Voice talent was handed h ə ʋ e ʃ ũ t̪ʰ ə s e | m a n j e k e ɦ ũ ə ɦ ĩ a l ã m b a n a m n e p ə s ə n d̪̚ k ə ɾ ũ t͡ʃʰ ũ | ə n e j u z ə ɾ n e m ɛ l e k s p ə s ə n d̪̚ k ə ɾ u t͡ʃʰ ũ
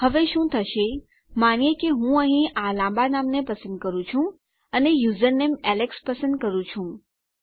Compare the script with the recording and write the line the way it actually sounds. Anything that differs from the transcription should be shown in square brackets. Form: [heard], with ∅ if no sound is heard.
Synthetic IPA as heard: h ə ʋ e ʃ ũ t̪ʰ ə [ʃ] e | m a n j e k e ɦ ũ ə ɦ ĩ a l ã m b a n a m n e p ə s ə n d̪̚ k ə ɾ ũ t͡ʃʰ ũ | ə n e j u z ə ɾ n e m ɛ l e k s p ə s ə n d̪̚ k ə ɾ [ũ] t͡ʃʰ ũ